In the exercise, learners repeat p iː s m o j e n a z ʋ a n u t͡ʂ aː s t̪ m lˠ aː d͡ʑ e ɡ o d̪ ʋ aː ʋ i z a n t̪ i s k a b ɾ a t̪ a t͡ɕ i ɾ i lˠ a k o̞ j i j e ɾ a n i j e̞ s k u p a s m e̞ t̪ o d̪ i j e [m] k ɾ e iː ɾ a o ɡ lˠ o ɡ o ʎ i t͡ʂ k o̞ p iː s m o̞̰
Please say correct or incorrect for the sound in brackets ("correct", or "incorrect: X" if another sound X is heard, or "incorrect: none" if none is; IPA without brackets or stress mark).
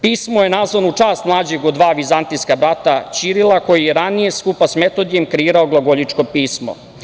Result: correct